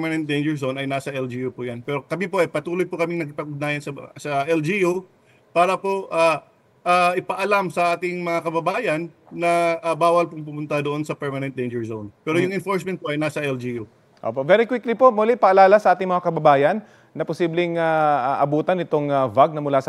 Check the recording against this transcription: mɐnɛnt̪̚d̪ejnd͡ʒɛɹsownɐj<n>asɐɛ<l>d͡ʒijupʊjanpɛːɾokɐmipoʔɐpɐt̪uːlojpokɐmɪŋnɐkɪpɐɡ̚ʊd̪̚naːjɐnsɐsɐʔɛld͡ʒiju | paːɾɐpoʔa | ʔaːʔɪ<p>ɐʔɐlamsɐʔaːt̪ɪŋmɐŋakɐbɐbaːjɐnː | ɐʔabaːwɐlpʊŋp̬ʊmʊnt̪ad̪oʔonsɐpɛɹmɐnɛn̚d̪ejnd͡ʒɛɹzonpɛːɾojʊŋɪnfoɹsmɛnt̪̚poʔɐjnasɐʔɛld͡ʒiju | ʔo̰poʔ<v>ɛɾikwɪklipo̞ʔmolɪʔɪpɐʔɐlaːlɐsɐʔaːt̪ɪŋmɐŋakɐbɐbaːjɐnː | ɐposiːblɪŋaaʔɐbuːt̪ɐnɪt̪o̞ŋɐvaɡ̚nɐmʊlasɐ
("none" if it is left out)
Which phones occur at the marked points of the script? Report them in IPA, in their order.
n, l, p, v

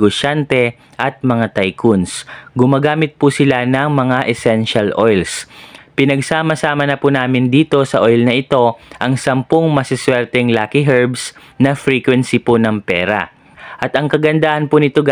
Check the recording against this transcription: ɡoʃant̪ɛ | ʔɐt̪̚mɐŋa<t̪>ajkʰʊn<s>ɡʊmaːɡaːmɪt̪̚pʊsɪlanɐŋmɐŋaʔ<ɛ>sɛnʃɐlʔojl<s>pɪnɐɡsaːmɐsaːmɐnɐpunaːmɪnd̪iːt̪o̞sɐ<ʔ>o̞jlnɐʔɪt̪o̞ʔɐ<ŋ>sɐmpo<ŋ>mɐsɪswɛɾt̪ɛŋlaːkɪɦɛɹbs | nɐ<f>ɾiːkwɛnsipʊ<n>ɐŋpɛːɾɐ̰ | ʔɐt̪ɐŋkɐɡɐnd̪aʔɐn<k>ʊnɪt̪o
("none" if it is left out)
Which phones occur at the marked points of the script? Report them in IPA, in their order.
t̪, s, ɛ, s, ʔ, ŋ, ŋ, f, n, p

